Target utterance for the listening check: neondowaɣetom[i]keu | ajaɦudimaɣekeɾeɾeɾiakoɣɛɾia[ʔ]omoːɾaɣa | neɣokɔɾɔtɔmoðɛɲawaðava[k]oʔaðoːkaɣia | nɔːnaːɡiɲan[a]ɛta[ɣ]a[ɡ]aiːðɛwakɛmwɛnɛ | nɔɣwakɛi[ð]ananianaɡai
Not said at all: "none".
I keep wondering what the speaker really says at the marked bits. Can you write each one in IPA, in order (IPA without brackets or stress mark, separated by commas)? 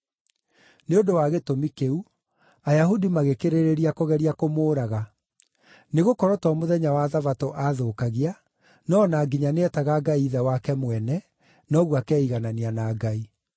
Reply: i, k, t, e, ɣ, ɡ, ɣ